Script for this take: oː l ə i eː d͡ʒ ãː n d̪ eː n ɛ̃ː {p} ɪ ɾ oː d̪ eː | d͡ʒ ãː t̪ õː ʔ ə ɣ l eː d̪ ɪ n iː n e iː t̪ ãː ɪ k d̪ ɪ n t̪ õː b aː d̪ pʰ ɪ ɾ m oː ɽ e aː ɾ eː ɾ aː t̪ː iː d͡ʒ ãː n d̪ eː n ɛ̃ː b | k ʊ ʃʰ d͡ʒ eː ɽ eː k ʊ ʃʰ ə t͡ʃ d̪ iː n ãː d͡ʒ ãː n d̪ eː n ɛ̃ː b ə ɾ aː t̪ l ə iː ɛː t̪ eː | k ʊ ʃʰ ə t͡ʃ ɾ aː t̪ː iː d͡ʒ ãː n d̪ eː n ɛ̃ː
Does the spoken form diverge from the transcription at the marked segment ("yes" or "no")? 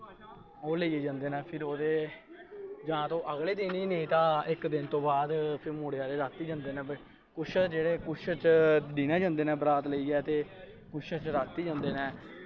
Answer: yes